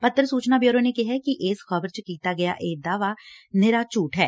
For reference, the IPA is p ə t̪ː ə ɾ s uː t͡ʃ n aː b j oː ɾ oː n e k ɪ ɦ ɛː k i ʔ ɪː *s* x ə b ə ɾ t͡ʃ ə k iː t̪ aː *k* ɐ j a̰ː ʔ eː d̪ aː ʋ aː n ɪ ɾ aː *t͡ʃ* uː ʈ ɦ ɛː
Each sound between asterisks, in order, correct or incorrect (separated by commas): correct, incorrect, correct